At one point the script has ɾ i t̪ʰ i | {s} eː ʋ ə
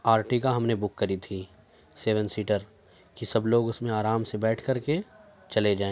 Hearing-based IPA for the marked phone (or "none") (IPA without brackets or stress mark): s